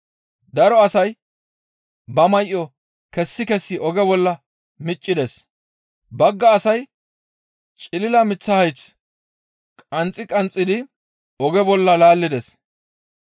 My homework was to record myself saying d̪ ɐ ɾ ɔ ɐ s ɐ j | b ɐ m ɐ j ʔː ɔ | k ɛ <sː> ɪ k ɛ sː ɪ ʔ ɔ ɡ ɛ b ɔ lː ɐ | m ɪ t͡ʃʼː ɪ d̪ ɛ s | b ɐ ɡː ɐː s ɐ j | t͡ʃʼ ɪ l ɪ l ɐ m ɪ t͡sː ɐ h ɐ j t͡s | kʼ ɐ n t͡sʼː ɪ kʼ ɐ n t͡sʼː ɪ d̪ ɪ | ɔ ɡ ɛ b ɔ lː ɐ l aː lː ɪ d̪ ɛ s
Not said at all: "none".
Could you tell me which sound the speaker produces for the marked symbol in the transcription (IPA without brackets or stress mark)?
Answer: sː